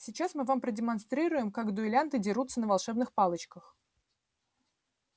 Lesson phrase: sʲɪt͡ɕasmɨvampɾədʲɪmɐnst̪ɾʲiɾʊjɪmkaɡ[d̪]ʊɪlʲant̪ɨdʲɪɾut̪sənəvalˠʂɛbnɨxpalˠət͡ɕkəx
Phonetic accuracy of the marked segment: correct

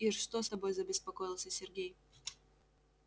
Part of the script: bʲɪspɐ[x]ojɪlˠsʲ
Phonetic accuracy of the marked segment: incorrect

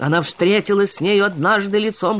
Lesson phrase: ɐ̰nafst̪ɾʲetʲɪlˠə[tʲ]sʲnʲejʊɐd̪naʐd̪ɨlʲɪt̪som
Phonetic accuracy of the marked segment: incorrect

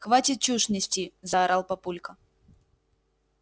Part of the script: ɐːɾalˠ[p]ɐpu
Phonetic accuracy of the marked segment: correct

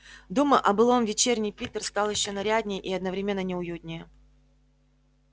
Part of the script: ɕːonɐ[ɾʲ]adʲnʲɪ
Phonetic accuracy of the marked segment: correct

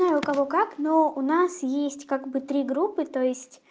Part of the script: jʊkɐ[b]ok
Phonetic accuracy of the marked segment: incorrect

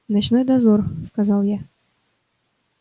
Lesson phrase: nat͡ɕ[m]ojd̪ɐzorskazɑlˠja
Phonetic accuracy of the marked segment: incorrect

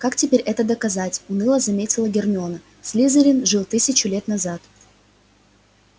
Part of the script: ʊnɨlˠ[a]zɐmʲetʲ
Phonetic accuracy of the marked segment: incorrect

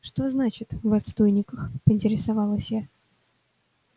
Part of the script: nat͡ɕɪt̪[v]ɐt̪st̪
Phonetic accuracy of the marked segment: correct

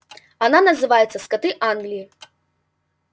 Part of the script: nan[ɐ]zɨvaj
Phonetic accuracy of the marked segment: correct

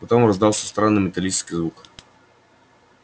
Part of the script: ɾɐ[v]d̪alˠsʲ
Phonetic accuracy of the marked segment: incorrect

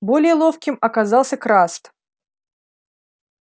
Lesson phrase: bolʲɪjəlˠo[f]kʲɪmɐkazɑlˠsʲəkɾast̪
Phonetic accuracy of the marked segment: correct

